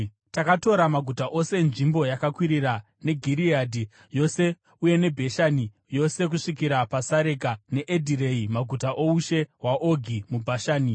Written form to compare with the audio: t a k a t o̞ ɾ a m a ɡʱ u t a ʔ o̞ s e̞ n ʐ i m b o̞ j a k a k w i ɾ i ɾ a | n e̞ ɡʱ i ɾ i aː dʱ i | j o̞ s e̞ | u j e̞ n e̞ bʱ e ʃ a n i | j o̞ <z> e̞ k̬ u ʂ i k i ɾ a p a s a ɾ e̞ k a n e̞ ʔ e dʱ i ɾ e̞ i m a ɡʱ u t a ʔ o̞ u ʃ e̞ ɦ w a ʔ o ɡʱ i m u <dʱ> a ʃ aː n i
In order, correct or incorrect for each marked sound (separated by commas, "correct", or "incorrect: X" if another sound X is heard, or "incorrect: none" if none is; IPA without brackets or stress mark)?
incorrect: s, incorrect: bʱ